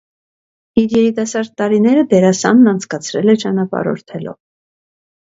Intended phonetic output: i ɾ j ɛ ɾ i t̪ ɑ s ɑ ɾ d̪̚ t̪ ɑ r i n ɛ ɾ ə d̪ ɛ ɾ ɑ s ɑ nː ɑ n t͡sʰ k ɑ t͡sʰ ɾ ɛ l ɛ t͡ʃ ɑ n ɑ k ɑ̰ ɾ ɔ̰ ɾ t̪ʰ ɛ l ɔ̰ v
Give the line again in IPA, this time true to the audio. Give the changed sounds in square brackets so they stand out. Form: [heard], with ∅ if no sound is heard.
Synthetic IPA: i ɾ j ɛ ɾ i t̪ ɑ s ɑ ɾ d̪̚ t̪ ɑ [ɾ] i n ɛ ɾ ə d̪ ɛ ɾ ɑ s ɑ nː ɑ n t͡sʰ k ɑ t͡sʰ ɾ ɛ l ɛ t͡ʃ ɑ n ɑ [p] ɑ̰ ɾ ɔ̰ ɾ t̪ʰ ɛ l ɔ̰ v